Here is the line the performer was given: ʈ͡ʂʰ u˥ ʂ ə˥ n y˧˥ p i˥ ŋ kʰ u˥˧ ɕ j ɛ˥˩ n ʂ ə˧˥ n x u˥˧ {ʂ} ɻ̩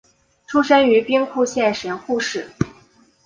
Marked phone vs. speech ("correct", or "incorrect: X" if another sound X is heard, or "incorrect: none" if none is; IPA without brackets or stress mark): correct